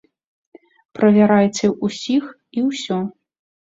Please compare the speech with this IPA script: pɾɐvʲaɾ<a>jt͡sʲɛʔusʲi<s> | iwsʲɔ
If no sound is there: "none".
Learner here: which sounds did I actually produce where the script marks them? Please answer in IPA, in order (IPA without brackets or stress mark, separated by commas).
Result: a, x